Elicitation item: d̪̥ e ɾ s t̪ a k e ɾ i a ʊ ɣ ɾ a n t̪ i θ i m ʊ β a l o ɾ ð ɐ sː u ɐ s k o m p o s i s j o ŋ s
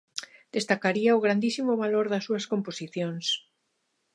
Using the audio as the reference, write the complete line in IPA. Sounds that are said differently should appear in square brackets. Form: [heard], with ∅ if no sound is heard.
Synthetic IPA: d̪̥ e [∅] s t̪ a k [a] ɾ i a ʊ ɣ ɾ a n [d̪] i [s] i m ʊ β a l o ɾ ð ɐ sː u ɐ s k o m p o s i [θ] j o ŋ s